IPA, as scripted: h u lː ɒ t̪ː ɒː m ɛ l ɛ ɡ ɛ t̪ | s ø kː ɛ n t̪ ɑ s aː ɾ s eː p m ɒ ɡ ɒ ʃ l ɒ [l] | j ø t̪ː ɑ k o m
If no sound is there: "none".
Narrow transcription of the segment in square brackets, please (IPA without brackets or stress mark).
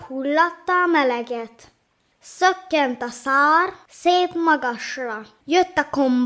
none